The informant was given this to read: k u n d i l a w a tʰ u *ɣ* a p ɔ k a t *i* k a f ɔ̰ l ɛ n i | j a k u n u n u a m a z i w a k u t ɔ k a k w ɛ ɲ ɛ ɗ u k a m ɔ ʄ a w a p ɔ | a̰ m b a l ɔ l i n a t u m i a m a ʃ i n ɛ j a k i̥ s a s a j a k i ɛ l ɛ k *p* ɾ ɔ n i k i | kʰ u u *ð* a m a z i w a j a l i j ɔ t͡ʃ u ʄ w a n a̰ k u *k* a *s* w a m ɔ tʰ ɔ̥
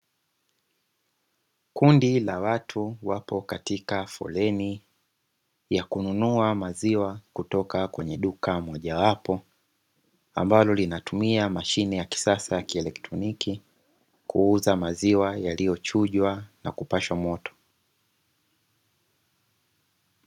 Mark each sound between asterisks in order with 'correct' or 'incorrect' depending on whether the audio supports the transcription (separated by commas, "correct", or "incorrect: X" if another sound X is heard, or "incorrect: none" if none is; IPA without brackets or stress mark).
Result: incorrect: w, correct, incorrect: t, incorrect: z, incorrect: p, incorrect: ʃ